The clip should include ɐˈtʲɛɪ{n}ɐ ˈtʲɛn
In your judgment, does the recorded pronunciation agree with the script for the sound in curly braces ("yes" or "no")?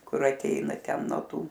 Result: yes